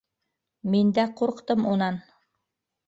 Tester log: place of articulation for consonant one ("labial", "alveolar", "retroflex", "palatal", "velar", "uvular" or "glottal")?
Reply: labial